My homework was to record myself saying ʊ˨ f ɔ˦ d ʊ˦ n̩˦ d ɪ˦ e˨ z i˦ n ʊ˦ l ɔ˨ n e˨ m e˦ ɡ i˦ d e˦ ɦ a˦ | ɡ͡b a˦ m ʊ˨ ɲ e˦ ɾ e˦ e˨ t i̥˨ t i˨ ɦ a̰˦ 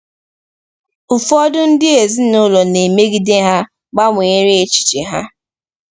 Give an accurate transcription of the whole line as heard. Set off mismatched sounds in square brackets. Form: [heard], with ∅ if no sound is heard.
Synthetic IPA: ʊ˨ f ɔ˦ d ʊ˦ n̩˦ d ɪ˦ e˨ z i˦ n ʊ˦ l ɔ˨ n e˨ m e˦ ɡ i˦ d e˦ ɦ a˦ | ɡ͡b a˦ m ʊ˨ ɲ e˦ ɾ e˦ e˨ [t͡ʃ] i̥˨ [t͡ʃ] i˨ ɦ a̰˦

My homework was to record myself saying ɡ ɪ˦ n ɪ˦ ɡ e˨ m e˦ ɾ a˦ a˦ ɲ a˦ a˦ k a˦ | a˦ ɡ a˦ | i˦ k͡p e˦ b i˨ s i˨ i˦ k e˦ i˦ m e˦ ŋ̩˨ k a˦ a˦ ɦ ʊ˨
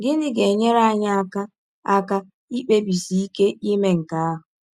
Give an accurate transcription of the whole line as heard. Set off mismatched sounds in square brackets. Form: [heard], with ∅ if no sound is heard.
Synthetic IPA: ɡ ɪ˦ n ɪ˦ ɡ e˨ [ɲ] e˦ ɾ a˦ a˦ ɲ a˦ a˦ k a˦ | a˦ [k] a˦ | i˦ k͡p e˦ b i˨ s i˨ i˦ k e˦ i˦ m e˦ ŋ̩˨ k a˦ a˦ ɦ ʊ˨

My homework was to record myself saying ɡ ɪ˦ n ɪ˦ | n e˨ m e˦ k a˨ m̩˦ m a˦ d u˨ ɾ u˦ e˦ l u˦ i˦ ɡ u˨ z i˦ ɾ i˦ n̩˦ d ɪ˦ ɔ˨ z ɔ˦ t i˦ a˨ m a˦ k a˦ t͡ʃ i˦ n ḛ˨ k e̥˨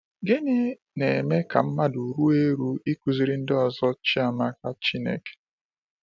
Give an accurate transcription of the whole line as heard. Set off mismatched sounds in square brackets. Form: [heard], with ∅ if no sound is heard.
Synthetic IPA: ɡ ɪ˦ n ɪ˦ | n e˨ m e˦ k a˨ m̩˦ m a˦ d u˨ ɾ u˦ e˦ [ɾ] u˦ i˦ [k] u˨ z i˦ ɾ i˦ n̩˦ d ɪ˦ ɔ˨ z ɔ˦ [t͡ʃ] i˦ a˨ m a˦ k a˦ t͡ʃ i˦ n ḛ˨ k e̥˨

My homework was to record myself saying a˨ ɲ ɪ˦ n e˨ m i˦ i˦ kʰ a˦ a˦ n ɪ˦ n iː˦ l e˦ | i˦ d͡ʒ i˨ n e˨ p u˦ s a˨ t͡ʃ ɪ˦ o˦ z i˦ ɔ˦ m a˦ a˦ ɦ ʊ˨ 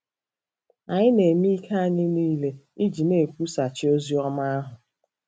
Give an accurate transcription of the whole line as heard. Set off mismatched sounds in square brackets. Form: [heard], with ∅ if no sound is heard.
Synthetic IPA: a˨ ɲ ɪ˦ n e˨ m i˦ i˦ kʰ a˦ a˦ [ɲ] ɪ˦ n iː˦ l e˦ | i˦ d͡ʒ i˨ n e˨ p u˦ s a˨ t͡ʃ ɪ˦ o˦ z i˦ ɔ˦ m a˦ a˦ ɦ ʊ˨

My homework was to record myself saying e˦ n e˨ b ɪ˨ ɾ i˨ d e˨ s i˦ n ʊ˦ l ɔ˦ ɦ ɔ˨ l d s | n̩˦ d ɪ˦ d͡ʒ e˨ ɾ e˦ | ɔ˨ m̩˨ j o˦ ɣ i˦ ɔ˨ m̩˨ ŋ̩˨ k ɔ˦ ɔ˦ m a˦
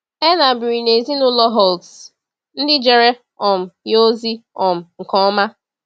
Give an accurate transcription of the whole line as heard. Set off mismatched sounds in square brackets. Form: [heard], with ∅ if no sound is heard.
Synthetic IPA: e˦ n [a˨] b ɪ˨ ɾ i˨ [n] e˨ [z] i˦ n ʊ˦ l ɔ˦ ɦ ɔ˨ l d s | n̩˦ d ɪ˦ d͡ʒ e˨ ɾ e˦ | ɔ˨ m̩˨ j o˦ [z] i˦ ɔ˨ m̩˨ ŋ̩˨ k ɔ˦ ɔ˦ m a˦

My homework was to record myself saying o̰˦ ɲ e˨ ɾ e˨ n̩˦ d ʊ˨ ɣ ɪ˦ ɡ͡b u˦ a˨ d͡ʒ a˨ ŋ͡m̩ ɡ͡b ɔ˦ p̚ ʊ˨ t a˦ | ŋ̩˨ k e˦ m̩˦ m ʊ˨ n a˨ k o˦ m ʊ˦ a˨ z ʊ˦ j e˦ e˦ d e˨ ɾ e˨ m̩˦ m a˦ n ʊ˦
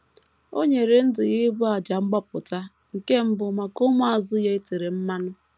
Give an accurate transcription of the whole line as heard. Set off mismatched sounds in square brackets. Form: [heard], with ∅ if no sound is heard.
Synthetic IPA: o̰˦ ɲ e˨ ɾ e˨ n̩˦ d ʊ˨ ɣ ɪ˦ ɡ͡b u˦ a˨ d͡ʒ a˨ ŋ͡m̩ ɡ͡b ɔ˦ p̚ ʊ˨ t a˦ | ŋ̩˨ k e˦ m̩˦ [b] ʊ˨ [m] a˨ k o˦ m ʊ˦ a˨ z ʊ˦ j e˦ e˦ [t] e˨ ɾ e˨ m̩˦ m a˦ n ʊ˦

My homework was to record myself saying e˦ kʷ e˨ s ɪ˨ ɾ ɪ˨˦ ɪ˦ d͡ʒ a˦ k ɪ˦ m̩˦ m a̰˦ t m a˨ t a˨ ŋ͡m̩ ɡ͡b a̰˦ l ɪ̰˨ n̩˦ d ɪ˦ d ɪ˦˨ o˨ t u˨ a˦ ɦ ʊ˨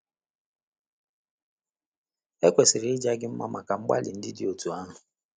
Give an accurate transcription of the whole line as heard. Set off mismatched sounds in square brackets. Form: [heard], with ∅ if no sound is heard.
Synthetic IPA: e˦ kʷ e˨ s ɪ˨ ɾ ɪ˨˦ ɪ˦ d͡ʒ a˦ [ɡ] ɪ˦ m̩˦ m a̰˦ [∅] m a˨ [k] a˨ ŋ͡m̩ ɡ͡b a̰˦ l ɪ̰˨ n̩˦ d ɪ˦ d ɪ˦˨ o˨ t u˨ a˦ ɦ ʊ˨

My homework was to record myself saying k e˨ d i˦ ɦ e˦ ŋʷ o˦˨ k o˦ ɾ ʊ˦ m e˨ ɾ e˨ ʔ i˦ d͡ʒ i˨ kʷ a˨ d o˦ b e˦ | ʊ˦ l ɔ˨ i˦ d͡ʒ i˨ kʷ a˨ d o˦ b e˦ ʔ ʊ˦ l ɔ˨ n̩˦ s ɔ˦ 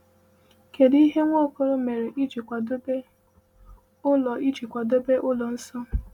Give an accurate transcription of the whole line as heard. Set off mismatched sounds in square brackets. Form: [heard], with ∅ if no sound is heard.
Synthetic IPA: k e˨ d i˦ ɦ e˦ ŋʷ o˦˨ k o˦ ɾ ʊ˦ m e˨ ɾ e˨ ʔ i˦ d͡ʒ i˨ kʷ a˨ d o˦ b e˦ | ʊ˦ l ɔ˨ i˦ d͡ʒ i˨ kʷ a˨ d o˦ b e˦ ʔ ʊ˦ l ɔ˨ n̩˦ s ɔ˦

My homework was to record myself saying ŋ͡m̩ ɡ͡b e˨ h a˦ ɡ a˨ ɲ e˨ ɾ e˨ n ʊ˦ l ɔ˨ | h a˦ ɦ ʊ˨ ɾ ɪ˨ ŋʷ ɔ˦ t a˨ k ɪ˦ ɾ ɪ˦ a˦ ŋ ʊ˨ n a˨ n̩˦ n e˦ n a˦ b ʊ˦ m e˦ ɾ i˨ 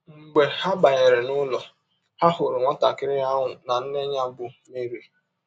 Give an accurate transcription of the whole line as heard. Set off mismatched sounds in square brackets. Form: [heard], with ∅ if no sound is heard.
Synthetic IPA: ŋ͡m̩ ɡ͡b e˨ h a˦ [b] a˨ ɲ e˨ ɾ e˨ n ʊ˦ l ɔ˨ | h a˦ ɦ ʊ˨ ɾ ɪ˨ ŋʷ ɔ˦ t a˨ k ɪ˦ ɾ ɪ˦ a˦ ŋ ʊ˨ n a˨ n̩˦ n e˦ [ɲ] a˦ b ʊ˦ m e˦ ɾ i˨

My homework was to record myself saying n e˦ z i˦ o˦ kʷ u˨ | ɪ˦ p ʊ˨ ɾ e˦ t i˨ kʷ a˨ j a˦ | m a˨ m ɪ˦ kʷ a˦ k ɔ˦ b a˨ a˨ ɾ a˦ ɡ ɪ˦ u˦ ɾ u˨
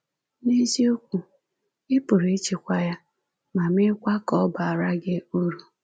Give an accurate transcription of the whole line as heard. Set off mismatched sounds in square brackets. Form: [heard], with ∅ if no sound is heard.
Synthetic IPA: n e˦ z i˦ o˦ kʷ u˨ | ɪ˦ p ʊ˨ ɾ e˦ [t͡ʃ] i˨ kʷ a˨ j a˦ | m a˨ m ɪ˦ kʷ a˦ k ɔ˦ b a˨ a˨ ɾ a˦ ɡ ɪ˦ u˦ ɾ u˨

